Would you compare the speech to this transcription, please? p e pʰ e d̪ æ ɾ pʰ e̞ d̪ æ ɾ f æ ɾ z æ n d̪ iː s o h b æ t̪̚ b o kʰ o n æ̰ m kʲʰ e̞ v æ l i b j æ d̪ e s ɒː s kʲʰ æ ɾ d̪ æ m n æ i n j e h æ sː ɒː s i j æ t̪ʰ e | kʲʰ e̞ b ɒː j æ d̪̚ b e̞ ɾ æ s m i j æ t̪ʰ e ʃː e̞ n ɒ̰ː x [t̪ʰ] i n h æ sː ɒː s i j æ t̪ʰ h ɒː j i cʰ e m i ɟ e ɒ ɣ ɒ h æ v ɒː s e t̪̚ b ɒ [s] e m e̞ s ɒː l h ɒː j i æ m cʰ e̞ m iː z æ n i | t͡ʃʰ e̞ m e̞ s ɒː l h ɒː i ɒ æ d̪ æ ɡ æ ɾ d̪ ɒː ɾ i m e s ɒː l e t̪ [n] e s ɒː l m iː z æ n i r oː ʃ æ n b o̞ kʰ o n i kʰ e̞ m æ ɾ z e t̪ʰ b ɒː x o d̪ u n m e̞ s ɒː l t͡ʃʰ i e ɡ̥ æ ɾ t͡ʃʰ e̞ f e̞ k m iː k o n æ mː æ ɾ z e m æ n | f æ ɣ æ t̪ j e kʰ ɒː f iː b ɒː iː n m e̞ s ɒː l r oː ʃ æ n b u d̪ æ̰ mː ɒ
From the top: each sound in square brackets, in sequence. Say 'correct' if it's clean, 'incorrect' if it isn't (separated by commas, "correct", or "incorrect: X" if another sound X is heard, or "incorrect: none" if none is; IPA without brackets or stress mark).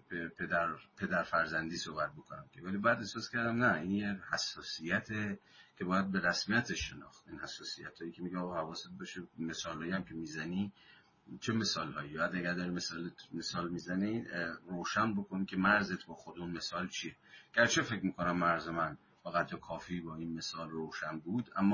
incorrect: t̪, incorrect: ʃ, incorrect: m